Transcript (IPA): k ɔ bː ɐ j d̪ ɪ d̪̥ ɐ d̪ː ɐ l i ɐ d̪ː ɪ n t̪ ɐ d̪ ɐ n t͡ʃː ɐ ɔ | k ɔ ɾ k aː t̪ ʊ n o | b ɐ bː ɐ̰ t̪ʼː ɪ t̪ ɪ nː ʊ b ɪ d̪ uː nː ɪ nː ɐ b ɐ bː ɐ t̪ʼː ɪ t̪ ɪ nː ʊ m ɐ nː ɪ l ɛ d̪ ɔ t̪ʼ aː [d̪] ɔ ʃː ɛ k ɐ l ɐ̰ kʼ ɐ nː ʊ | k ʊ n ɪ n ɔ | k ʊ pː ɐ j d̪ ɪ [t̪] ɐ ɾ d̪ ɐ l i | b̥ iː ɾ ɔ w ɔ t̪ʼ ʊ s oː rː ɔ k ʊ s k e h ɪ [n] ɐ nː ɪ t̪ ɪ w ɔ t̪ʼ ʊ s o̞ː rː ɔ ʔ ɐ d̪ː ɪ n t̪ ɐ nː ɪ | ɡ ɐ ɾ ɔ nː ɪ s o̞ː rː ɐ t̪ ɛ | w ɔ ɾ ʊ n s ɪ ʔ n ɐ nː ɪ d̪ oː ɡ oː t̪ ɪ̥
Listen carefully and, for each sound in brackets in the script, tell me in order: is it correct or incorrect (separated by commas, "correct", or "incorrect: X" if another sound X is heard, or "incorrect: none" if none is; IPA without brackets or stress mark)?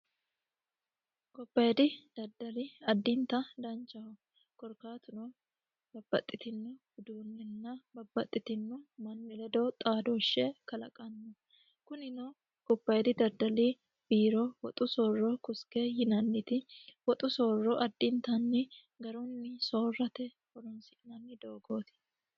correct, incorrect: d̪, correct